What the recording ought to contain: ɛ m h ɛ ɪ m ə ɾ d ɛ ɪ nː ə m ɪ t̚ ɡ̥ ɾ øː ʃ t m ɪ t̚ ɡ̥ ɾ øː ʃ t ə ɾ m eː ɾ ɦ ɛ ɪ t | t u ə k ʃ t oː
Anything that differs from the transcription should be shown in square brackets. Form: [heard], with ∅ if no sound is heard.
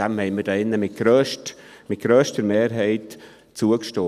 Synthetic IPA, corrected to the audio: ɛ m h ɛ ɪ m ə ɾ d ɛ ɪ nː ə m ɪ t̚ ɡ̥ ɾ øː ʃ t m ɪ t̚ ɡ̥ ɾ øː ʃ t ə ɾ m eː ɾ ɦ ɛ ɪ t | [t͡s] u ə k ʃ t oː